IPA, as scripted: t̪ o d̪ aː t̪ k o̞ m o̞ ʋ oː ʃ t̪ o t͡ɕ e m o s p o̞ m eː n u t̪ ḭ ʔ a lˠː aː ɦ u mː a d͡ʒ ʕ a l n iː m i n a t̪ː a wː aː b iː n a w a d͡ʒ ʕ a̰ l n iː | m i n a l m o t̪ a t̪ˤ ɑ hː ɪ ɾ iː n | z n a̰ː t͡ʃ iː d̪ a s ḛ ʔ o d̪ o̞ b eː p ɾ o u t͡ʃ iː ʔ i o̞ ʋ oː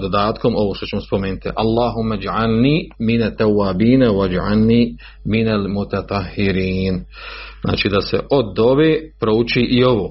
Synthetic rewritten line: d̪ o d̪ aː t̪ k o̞ m o̞ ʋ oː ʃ t̪ o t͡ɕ e m o s p o̞ m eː n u t̪ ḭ ʔ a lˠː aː ɦ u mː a d͡ʒ ʕ a l n iː m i n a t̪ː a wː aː b iː n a w a d͡ʒ ʕ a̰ l n iː | m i n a l m u t̪ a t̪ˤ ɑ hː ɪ ɾ iː n | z n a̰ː t͡ʃ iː d̪ a s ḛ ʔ o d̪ o̞ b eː p ɾ o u t͡ʃ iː ʔ i o̞ ʋ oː